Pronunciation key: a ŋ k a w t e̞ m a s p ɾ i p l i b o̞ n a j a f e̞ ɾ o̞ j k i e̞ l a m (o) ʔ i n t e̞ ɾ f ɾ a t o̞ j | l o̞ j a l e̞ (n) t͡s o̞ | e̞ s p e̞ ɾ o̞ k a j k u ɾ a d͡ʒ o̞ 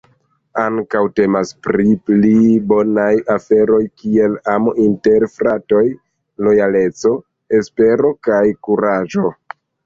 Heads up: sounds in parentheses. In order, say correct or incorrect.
correct, incorrect: none

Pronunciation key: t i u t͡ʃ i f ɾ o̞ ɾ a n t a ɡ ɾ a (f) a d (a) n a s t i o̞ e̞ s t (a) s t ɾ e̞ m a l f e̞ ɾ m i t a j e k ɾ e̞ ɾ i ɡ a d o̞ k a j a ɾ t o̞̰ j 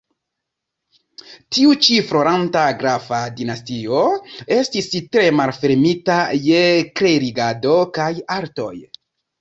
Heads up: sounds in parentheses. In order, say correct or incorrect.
correct, incorrect: i, incorrect: i

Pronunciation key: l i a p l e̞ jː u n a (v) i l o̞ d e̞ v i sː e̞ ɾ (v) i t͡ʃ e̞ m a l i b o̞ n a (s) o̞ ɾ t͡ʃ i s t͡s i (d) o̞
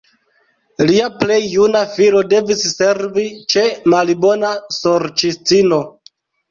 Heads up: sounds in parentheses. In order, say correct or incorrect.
incorrect: f, correct, correct, incorrect: n

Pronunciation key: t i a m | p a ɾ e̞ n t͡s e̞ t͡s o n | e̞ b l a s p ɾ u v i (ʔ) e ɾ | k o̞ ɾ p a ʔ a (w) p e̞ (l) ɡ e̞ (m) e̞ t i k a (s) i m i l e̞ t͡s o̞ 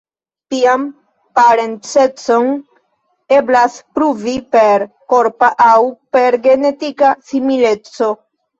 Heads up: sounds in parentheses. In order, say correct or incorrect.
incorrect: p, correct, incorrect: ɾ, incorrect: n, correct

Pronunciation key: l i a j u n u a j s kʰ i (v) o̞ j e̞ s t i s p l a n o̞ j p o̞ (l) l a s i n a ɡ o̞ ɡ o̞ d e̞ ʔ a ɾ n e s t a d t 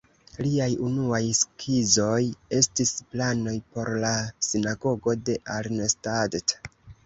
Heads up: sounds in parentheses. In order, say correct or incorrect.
incorrect: z, incorrect: ɾ

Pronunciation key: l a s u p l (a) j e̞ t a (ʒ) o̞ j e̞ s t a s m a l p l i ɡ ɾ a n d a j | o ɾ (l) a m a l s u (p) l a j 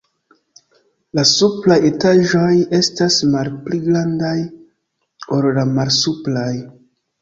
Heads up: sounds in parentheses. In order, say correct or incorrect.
correct, correct, correct, correct

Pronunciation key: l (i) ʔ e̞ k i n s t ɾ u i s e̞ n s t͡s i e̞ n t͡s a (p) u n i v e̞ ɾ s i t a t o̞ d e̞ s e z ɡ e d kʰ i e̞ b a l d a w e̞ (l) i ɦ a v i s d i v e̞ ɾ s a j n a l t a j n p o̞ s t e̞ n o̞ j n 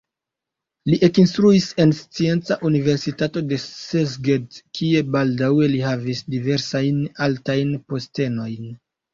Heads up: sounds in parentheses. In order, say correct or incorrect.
correct, incorrect: ʔ, correct

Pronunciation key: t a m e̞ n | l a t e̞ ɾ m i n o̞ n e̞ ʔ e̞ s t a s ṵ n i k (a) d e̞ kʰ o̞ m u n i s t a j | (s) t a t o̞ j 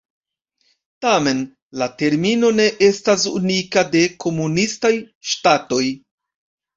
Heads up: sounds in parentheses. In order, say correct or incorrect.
correct, incorrect: ʃ

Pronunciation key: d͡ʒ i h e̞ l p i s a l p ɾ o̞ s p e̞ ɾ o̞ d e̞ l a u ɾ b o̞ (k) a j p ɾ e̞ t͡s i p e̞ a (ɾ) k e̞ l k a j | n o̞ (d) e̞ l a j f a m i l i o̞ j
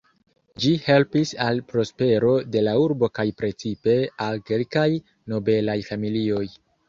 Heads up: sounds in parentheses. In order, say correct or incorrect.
correct, incorrect: l, incorrect: b

